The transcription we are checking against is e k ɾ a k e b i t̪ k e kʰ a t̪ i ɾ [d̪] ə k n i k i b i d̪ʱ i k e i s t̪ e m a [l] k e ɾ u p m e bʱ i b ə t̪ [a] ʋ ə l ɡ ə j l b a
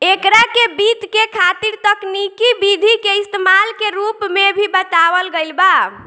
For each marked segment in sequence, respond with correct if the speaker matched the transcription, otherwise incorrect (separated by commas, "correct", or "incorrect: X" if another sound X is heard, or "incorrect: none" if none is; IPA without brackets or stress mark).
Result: incorrect: t̪, correct, correct